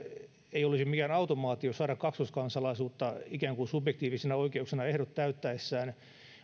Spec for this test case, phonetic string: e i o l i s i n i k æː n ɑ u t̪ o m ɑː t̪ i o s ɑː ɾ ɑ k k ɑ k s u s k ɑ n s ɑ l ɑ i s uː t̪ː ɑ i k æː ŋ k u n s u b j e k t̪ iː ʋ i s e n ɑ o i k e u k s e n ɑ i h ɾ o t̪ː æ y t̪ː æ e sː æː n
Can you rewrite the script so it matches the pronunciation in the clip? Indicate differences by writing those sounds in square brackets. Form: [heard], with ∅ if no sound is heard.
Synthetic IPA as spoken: e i o l i s i [m] i k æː n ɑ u t̪ o m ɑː t̪ i o s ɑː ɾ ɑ k k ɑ k s u s k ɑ n s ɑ l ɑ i s uː t̪ː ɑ i k æː ŋ k u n s u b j e k t̪ iː ʋ i s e n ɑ o i k e u k s e n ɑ [e] h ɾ o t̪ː æ y t̪ː æ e sː æː n